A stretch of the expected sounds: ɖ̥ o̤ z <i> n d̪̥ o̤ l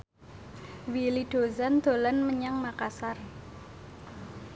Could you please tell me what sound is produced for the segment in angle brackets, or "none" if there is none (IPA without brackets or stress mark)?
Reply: a